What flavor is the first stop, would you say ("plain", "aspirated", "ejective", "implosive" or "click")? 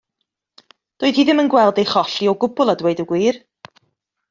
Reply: plain